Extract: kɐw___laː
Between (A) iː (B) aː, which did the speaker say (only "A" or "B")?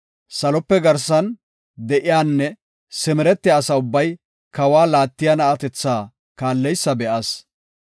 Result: B